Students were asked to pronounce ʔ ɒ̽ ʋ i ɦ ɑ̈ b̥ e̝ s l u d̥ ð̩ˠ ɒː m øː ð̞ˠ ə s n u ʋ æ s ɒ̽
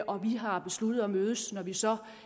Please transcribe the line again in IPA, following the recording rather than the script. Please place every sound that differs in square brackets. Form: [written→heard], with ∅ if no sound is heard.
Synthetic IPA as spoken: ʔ ɒ̽ ʋ i ɦ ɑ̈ b̥ e̝ s l u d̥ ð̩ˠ [ɒː→ɒ] m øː ð̞ˠ ə s n [u→ɒ] ʋ [æ→i] s ɒ̽